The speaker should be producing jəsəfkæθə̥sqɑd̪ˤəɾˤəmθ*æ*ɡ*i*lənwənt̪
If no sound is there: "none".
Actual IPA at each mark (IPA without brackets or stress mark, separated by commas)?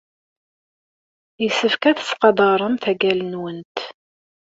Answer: æ, æ